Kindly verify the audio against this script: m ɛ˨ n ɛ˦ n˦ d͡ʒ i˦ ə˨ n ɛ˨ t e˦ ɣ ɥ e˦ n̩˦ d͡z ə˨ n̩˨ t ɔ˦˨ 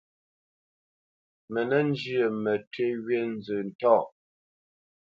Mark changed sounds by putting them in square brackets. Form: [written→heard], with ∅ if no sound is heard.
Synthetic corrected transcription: m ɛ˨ n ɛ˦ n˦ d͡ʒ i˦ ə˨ [n→m] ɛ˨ t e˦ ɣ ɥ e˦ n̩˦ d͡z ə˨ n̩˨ t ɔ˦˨